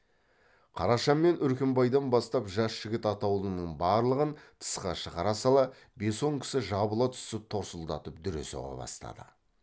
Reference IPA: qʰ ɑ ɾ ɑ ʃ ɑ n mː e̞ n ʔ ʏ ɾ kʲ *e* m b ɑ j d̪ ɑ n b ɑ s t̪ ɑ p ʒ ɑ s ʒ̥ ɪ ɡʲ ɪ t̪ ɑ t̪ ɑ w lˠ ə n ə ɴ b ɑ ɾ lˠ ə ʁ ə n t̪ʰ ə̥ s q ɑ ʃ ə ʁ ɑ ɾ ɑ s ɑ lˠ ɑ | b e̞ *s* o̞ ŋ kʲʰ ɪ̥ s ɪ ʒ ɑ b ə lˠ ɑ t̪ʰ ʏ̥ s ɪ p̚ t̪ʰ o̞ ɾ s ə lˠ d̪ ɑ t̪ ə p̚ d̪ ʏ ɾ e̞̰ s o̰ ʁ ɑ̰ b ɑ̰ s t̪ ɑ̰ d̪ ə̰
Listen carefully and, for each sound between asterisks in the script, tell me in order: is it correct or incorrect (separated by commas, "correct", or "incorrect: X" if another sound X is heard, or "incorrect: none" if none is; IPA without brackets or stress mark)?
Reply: correct, correct